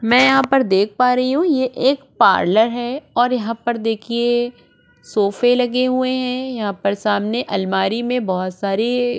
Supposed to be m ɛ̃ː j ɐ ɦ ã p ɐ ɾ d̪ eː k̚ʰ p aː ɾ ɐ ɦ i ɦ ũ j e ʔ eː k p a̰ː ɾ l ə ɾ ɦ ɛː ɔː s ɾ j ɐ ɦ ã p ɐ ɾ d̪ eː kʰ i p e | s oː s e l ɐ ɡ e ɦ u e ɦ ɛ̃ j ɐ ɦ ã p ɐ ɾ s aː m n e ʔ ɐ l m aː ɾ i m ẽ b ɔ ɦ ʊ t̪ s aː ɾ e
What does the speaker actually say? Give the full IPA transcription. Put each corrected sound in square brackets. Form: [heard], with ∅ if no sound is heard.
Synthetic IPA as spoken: m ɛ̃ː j ɐ ɦ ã p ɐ ɾ d̪ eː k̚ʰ p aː ɾ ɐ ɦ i ɦ ũ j e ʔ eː k p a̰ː ɾ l ə ɾ ɦ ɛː ɔː [∅] ɾ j ɐ ɦ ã p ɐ ɾ d̪ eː kʰ i [∅] e | s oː [f] e l ɐ ɡ e ɦ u e ɦ ɛ̃ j ɐ ɦ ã p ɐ ɾ s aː m n e ʔ ɐ l m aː ɾ i m ẽ b ɔ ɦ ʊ t̪ s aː ɾ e